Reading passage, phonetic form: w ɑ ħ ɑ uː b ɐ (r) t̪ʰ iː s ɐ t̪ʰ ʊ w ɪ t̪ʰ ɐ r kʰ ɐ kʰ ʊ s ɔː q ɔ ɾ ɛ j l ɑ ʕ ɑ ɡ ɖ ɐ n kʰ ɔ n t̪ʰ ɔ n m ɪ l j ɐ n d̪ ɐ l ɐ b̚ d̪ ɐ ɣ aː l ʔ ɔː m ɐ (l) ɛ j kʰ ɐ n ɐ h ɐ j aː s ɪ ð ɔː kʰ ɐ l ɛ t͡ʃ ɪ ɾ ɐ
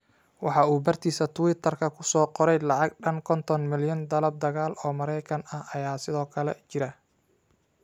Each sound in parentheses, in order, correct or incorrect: correct, incorrect: ɾ

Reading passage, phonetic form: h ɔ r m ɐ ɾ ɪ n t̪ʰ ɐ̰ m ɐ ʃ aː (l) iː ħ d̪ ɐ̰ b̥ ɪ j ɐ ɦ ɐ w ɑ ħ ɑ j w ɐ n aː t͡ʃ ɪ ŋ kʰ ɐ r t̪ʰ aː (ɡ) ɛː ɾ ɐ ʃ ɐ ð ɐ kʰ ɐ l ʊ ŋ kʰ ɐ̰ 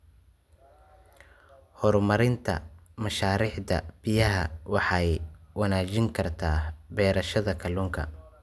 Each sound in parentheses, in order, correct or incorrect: incorrect: ɾ, incorrect: b

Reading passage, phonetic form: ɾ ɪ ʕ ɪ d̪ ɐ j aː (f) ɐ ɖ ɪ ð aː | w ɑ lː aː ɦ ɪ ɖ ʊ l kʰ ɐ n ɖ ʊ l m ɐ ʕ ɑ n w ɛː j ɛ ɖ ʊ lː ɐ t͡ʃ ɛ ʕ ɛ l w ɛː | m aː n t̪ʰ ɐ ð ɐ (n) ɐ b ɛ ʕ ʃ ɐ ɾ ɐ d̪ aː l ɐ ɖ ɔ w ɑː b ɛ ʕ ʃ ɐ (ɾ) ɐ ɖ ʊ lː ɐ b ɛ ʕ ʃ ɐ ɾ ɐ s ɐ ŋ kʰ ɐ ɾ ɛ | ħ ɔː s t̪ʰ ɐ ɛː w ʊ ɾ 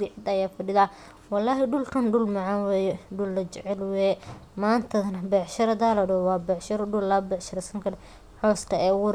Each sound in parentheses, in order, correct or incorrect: correct, correct, correct

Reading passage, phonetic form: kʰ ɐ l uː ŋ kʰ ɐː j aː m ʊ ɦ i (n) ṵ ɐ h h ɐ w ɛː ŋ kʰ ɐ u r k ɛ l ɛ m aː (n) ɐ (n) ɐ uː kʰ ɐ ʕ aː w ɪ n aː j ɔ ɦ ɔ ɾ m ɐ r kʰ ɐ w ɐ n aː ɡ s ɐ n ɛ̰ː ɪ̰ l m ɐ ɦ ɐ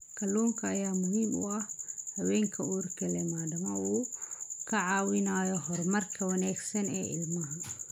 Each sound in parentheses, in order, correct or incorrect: incorrect: m, incorrect: d, incorrect: m

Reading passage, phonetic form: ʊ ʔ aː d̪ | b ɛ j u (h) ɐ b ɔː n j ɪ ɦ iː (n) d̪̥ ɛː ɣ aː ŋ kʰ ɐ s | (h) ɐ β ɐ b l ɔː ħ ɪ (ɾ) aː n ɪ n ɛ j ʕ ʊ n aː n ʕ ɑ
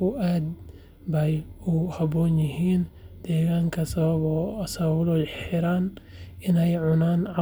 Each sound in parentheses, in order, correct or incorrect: correct, correct, incorrect: s, correct

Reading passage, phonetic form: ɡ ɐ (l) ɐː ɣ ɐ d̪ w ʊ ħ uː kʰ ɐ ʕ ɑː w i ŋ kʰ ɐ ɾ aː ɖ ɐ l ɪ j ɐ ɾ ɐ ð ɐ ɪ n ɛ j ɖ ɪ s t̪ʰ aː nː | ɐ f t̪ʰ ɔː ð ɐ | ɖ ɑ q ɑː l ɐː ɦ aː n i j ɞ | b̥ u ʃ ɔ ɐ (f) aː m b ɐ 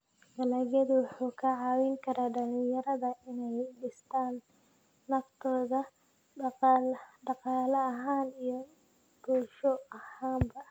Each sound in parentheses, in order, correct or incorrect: correct, incorrect: h

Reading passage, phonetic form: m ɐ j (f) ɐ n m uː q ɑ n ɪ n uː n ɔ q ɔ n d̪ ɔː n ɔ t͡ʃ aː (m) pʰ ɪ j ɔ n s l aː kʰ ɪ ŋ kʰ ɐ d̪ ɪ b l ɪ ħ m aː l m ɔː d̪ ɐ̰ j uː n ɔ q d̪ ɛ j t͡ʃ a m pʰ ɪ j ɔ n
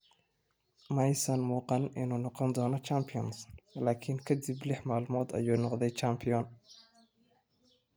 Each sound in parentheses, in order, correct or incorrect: incorrect: s, correct

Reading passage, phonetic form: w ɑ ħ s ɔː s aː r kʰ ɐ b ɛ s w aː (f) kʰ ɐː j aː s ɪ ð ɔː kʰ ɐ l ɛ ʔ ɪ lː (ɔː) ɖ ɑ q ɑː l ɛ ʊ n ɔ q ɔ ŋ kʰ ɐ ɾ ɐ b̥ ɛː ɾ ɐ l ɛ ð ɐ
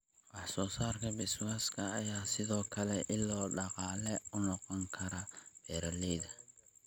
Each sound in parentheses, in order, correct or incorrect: incorrect: s, correct

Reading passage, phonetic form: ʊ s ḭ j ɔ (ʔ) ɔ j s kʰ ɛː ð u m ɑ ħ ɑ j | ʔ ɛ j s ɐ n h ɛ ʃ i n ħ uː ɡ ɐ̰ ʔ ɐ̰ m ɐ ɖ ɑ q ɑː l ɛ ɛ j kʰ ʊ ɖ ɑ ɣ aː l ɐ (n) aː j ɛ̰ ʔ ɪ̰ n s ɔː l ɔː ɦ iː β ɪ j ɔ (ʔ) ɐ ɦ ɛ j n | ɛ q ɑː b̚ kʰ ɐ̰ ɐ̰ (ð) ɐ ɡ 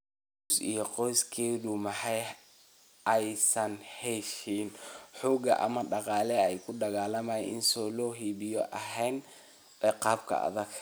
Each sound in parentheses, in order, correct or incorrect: incorrect: q, incorrect: m, correct, correct

